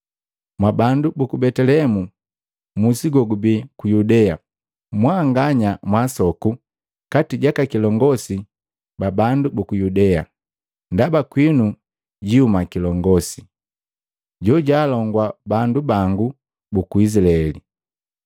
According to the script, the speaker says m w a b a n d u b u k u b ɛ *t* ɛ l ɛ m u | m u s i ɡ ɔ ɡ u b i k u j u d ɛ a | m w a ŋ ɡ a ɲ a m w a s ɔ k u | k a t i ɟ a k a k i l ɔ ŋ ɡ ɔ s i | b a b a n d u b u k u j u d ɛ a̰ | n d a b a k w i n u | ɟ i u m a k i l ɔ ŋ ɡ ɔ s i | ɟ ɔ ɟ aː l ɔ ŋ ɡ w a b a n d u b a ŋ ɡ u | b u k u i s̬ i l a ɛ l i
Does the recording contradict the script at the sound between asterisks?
no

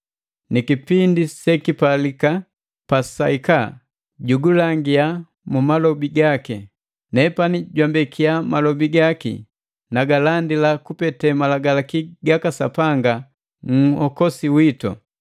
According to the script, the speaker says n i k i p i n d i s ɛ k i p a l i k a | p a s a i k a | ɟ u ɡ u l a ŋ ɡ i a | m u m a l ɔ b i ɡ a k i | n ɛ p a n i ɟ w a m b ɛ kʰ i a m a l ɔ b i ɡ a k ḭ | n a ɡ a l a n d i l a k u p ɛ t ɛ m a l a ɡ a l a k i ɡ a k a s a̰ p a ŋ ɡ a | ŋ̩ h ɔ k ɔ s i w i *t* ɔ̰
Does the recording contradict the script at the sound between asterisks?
no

